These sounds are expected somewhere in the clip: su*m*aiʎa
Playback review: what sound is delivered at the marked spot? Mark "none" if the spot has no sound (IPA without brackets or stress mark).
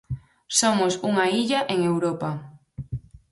ŋ